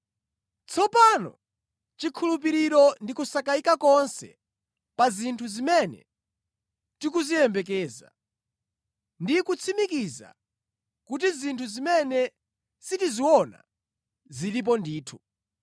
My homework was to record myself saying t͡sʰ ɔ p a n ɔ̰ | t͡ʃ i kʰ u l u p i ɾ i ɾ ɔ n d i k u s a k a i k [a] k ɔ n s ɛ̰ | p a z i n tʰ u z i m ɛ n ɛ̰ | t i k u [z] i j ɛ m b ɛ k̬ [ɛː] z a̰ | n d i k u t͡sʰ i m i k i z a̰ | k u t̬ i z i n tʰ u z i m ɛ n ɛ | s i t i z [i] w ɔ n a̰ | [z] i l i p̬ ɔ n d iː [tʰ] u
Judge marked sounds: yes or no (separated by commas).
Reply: yes, yes, yes, yes, yes, yes